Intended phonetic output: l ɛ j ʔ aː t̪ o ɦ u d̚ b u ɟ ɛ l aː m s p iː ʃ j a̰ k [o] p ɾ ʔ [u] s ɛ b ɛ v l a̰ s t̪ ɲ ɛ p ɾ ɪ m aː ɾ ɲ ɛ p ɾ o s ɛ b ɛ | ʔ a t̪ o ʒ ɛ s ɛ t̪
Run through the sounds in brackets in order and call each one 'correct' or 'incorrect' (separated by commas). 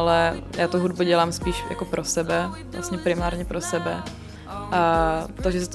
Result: correct, incorrect